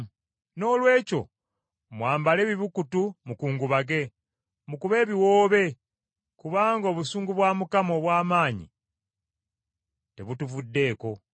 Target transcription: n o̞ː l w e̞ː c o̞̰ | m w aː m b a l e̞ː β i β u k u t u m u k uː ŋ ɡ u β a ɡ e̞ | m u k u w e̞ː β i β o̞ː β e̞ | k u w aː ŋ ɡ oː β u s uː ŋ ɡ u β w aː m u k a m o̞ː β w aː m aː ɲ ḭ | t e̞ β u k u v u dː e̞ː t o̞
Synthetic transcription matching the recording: n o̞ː l w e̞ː c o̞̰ | m w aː m b a l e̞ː β i β u k u t u m u k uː ŋ ɡ u β a ɡ e̞ | m u k u β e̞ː β i w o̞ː β e̞ | k u β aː ŋ ɡ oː β u s uː ŋ ɡ u β w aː m u k a m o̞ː β w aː m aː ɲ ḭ | t e̞ β u t u v u dː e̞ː k o̞